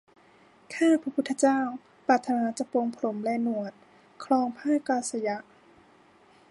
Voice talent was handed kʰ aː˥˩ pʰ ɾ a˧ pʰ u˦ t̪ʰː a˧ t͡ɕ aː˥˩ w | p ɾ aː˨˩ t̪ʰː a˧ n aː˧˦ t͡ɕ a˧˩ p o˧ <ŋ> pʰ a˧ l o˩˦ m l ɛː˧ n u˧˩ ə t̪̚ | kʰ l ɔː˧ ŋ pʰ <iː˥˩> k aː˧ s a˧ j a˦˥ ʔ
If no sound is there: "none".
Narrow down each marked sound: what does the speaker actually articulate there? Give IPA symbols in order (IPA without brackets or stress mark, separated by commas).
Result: ŋ, aː˥˩